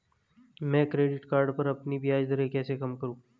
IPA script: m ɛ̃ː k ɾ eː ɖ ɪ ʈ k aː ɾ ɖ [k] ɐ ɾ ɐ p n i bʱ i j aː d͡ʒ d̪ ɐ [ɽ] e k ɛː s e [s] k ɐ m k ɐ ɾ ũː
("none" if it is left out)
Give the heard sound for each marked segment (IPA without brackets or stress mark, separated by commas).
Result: p, ɾ, none